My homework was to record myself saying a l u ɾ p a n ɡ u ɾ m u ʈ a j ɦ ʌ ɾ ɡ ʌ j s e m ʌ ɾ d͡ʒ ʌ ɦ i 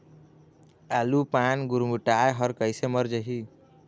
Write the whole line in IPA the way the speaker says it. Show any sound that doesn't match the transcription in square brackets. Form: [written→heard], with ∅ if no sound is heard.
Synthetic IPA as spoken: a l u [ɾ→∅] p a n ɡ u ɾ m u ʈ a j ɦ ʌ ɾ [ɡ→k] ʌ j s e m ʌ ɾ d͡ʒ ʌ ɦ i